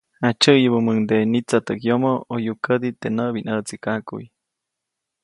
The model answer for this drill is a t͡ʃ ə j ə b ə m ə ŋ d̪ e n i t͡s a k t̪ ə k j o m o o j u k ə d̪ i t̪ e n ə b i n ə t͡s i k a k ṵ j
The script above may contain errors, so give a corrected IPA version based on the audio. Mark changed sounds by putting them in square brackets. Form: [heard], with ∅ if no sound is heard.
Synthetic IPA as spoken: a t͡ʃ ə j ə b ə m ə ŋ d̪ e n i t͡s a [∅] t̪ ə k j o m o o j u k ə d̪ i t̪ e n ə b i n ə t͡s i k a k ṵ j